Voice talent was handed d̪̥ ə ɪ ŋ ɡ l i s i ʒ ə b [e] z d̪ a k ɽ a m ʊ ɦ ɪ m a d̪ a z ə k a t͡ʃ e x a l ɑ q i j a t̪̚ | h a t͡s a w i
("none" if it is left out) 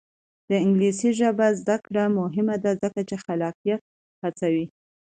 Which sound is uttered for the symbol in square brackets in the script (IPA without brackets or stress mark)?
a